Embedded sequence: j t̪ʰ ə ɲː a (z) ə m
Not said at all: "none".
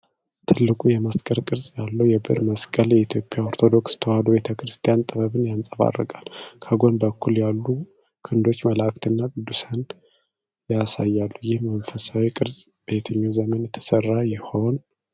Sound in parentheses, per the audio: z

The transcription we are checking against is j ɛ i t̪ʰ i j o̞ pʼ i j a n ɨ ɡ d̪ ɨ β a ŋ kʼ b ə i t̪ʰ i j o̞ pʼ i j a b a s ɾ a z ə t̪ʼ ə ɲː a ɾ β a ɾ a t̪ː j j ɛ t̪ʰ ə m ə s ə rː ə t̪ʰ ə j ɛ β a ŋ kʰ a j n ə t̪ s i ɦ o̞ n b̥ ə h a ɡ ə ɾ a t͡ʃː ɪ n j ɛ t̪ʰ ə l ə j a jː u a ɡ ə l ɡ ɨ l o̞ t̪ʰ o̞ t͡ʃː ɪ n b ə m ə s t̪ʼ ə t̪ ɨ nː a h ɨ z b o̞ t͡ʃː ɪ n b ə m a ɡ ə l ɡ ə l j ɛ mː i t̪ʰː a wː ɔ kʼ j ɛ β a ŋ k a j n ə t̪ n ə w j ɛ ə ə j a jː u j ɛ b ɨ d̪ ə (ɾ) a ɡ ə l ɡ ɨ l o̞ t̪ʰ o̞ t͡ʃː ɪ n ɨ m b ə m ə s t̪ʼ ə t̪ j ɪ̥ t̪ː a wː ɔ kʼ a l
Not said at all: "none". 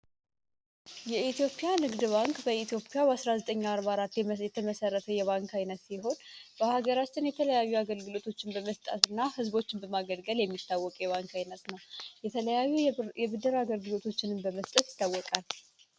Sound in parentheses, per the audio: ɾ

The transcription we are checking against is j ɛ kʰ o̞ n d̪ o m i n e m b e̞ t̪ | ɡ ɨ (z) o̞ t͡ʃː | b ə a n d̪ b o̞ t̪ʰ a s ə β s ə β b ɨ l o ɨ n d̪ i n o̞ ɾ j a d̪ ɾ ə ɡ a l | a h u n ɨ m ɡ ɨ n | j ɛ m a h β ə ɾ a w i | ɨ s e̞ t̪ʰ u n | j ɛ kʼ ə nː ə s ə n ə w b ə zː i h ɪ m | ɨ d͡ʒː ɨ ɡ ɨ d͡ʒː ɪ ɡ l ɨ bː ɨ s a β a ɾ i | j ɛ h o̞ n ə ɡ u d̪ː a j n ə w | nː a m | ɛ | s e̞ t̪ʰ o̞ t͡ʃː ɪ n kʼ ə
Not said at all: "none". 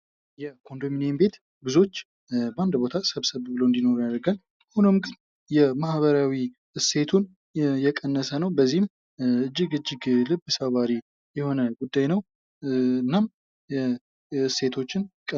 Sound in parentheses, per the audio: z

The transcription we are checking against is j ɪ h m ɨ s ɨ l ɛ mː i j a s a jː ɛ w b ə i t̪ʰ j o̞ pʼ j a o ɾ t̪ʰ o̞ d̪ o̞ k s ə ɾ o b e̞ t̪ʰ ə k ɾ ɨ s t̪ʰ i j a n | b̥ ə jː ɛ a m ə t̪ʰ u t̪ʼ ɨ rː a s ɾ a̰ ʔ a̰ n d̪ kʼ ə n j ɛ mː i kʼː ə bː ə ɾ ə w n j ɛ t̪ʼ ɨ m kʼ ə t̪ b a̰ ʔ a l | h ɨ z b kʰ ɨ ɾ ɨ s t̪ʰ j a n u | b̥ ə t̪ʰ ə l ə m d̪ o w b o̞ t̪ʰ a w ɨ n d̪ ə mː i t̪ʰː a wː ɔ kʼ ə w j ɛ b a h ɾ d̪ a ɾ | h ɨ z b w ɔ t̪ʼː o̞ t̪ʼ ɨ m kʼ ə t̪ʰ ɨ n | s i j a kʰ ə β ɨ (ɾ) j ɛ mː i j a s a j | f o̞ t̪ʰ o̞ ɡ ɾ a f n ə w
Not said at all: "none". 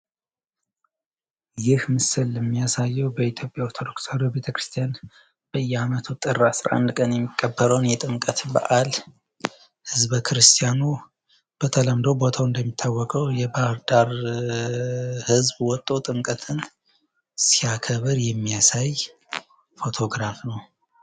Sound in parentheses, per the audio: ɾ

